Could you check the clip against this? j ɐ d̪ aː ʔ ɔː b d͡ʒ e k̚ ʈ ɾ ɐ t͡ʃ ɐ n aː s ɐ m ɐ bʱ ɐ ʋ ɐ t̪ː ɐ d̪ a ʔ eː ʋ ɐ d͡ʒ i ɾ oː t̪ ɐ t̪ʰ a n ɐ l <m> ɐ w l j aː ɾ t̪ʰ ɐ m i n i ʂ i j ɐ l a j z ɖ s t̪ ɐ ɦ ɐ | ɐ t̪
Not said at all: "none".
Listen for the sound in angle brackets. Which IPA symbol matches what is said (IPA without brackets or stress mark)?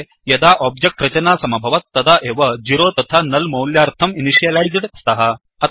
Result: m